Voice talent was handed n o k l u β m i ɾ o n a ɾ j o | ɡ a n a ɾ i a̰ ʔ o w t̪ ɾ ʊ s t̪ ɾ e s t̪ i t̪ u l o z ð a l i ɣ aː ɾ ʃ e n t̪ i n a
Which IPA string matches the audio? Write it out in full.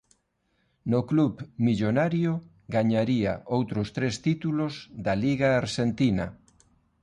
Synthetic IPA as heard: n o k l u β m i ʎ o n a ɾ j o | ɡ a ɲ a ɾ i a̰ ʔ o w t̪ ɾ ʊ s t̪ ɾ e s t̪ i t̪ u l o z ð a l i ɣ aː ɾ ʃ e n t̪ i n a